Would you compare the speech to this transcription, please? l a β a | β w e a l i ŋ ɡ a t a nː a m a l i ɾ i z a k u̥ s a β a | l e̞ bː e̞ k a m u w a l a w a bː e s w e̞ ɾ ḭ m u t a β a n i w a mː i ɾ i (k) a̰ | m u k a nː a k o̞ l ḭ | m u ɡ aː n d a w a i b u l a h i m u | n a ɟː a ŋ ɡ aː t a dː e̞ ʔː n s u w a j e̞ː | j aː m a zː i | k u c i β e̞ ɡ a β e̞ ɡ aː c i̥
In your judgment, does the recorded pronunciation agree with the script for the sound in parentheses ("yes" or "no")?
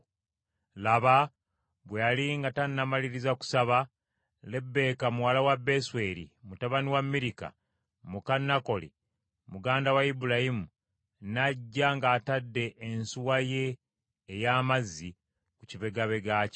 yes